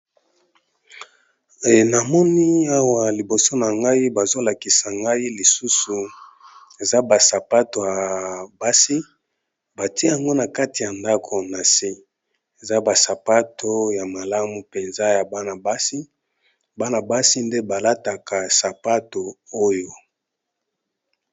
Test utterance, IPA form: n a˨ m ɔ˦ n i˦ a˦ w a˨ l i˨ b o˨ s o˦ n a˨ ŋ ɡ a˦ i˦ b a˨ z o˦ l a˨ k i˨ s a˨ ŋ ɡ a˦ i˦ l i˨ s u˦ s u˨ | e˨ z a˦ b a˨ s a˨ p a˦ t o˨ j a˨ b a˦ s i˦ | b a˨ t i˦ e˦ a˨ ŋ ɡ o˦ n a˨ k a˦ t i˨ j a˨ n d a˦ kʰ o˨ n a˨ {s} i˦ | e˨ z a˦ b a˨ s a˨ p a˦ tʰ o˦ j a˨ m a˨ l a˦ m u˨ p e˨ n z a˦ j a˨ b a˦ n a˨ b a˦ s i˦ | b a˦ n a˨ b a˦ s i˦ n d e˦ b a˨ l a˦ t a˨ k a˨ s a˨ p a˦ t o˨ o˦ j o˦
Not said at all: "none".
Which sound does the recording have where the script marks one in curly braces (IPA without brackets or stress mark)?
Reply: s